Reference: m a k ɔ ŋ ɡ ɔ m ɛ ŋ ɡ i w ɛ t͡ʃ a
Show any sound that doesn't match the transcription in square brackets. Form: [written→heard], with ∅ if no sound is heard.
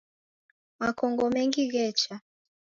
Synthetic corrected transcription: m a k ɔ ŋ ɡ ɔ m ɛ ŋ ɡ i [w→ɣ] ɛ t͡ʃ a